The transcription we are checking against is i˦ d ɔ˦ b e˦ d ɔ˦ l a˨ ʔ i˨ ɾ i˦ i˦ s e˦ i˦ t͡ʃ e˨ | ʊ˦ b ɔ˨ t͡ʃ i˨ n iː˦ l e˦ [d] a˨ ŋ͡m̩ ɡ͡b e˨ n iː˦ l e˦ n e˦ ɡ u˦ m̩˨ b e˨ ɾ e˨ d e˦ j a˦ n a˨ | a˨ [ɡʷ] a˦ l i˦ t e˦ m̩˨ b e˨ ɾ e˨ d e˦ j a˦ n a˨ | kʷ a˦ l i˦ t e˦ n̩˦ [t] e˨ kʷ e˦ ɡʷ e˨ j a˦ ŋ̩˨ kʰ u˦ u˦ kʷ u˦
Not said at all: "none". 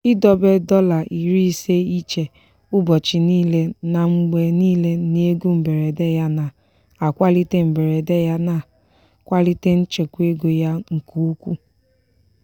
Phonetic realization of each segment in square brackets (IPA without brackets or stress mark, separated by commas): n, kʷ, t͡ʃ